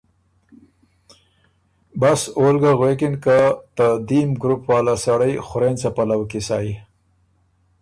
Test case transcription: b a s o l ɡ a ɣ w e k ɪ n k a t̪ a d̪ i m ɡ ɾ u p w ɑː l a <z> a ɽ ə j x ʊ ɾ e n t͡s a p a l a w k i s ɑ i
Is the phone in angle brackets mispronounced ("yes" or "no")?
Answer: yes